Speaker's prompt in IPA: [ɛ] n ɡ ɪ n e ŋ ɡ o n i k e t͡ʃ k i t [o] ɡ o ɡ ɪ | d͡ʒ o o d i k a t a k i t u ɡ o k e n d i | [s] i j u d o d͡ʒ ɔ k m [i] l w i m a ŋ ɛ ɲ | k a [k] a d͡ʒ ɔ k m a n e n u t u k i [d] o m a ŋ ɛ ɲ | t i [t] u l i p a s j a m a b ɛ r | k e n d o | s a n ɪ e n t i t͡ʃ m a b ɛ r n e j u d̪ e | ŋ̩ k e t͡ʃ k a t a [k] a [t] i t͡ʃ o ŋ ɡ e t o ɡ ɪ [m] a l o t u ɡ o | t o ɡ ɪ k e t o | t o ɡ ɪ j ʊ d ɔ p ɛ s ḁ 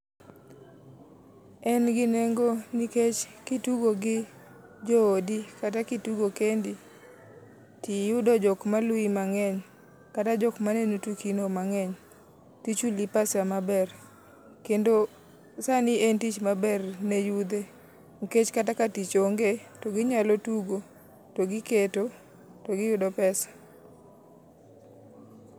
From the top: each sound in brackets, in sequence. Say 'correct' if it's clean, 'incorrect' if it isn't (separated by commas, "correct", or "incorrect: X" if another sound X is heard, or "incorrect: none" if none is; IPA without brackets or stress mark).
correct, incorrect: u, incorrect: t, incorrect: a, incorrect: t, incorrect: n, incorrect: t͡ʃ, correct, correct, incorrect: ɲ